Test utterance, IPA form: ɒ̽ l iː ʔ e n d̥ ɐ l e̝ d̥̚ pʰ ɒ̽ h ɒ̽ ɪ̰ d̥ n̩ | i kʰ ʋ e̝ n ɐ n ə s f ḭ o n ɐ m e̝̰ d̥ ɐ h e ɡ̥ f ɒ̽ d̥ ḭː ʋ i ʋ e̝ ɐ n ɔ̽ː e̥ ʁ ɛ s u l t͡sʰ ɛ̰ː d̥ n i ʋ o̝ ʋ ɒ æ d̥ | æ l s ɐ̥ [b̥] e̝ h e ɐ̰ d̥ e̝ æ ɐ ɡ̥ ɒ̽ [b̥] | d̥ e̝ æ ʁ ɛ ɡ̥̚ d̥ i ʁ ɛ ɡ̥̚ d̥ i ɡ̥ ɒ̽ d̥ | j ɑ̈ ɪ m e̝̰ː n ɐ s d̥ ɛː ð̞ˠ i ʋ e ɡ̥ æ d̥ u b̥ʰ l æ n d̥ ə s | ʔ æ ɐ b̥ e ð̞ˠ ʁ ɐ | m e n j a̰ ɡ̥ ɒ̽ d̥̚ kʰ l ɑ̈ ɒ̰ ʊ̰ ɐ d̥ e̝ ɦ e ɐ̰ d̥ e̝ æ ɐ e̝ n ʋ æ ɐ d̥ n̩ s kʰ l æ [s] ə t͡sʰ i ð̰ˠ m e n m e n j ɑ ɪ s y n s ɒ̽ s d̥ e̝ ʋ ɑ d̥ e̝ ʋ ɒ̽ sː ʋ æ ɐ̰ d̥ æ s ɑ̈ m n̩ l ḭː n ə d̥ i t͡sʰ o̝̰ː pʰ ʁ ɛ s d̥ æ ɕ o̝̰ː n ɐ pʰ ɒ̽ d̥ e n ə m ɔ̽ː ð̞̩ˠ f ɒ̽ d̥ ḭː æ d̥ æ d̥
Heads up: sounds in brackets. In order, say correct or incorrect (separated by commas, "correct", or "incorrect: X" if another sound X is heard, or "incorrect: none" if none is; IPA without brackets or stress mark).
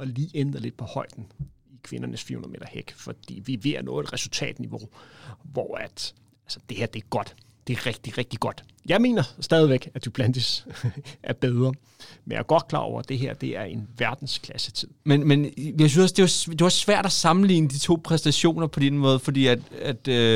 incorrect: d̥, incorrect: d̥, correct